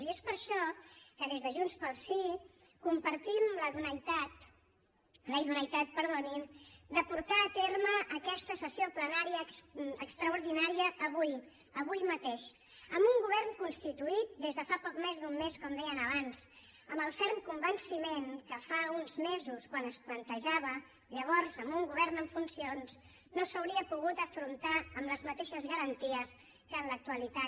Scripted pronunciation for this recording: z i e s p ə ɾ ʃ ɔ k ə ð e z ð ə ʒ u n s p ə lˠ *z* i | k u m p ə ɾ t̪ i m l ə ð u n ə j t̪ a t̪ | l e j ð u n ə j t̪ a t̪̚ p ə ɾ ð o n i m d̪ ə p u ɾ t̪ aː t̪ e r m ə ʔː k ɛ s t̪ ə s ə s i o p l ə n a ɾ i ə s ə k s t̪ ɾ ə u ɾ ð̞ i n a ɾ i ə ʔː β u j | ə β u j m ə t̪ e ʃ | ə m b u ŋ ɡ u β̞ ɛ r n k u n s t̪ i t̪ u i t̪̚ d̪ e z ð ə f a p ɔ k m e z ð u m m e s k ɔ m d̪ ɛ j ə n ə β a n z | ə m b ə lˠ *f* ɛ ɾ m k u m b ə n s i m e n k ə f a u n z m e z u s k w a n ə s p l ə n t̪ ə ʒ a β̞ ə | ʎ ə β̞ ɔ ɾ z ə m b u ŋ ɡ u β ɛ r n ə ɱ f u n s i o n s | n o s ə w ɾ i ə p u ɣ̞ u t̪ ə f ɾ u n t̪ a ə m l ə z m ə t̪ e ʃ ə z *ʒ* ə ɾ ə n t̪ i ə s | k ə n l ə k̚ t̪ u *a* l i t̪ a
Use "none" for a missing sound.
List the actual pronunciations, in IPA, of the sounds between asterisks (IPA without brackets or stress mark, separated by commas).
s, f, ɣ, ə